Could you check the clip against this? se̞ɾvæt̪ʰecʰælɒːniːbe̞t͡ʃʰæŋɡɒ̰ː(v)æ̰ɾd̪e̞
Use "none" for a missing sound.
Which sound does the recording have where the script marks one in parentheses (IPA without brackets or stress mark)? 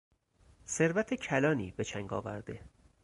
v